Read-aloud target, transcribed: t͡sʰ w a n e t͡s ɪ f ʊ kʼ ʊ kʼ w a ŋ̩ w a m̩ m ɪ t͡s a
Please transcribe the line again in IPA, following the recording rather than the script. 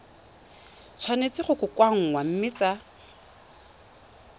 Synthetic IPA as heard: t͡sʰ w a n e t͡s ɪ χ ʊ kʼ ʊ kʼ w a ŋ̩ w a m̩ m ɪ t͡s a